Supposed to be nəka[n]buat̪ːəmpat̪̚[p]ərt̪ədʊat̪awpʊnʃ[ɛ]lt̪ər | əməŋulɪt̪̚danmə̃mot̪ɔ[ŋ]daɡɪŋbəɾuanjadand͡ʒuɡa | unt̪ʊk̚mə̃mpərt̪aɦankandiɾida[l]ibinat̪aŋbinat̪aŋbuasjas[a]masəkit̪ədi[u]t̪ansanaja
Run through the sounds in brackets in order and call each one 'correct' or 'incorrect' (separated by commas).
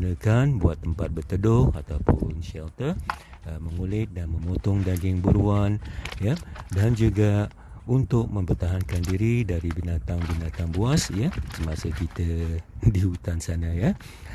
correct, incorrect, correct, correct, incorrect, incorrect, correct